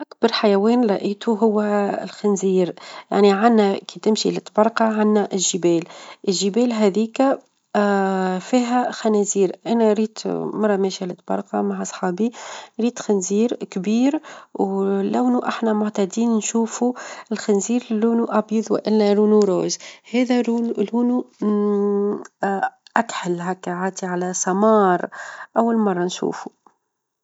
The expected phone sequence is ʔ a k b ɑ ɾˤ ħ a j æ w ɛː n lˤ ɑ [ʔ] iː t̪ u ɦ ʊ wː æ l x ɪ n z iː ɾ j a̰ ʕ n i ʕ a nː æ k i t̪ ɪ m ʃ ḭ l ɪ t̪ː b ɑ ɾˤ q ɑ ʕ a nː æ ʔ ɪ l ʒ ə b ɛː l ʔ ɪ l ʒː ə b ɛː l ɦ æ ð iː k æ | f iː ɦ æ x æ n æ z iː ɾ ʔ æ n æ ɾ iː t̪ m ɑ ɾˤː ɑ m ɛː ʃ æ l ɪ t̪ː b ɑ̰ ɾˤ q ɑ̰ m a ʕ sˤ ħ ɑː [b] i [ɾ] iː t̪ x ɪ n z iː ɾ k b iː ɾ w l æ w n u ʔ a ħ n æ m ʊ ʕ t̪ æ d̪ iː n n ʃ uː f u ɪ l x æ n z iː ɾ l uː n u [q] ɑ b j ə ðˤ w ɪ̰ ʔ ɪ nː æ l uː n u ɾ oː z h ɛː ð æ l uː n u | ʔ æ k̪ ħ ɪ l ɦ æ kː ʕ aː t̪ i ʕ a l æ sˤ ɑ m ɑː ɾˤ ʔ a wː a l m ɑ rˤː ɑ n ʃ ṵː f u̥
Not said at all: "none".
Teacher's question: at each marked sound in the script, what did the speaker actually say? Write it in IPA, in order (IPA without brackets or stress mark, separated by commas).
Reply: ʔ, b, ɾ, ʔ